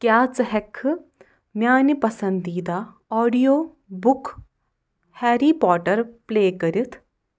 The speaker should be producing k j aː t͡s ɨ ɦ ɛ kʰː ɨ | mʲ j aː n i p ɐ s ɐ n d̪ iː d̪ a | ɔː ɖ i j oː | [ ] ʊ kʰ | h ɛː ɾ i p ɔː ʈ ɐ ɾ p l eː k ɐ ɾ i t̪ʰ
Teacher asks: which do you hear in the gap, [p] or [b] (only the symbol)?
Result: b